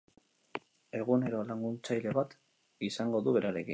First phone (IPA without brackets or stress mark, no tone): e̞